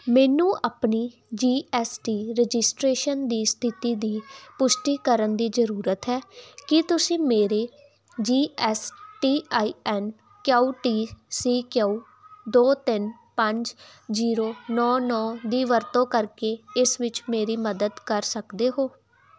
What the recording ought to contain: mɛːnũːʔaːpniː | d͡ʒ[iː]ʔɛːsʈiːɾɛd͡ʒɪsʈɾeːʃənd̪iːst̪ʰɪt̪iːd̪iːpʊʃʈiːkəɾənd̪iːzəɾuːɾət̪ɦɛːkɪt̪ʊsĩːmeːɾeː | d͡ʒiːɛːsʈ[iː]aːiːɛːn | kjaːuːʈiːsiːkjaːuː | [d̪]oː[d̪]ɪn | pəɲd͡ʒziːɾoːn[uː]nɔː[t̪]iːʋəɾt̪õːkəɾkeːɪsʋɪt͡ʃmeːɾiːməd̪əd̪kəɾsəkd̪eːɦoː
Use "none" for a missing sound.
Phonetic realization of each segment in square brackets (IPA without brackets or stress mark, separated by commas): iː, iː, d̪, t̪, ɔː, d̪